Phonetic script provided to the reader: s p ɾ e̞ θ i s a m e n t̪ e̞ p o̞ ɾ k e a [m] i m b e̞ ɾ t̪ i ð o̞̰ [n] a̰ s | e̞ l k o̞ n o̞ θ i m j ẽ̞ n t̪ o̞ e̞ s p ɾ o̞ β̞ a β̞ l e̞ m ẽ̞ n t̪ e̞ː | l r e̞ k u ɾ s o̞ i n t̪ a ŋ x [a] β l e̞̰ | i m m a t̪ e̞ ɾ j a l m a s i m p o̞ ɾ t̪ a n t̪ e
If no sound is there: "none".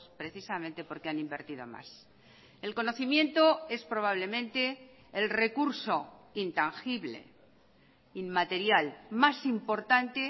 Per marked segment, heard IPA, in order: n, m, i

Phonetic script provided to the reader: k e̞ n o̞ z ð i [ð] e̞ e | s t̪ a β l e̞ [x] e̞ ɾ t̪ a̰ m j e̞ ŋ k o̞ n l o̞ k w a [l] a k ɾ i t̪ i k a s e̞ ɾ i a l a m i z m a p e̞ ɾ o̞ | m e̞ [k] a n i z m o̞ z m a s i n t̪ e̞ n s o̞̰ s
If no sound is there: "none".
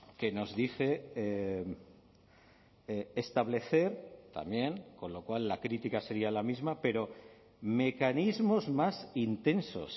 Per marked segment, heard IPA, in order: θ, θ, lː, k

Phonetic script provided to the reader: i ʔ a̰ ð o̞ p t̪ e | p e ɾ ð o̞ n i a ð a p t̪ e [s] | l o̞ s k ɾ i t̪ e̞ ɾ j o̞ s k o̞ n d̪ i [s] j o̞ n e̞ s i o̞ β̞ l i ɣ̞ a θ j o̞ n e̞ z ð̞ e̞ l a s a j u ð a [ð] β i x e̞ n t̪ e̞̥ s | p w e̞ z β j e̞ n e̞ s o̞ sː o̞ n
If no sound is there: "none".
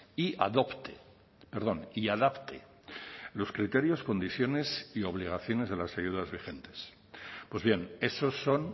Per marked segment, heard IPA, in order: none, θ, z

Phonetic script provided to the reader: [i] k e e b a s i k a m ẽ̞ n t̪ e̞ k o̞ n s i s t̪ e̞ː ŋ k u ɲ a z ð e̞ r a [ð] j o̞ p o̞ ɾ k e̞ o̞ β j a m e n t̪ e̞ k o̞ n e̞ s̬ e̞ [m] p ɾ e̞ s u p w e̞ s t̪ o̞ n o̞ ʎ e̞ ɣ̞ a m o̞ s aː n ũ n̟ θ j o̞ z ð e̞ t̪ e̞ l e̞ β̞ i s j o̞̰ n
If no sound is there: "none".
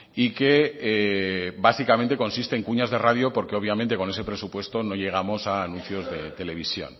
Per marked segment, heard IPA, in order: i, ð, none

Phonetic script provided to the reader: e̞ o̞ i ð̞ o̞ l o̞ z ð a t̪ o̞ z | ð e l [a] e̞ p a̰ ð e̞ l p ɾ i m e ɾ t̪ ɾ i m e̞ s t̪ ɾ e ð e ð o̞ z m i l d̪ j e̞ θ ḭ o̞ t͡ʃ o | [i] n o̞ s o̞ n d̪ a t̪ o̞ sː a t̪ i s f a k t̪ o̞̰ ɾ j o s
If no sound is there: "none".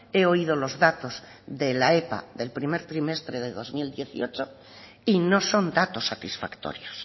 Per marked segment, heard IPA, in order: a, i

